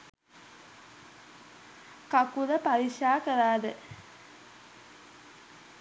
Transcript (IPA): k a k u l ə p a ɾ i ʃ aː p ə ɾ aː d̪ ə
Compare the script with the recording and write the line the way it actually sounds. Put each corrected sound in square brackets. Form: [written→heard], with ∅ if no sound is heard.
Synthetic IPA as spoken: k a k u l ə p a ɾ i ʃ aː [p→k] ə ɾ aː d̪ ə